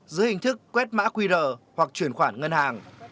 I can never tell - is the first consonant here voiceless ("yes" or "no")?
no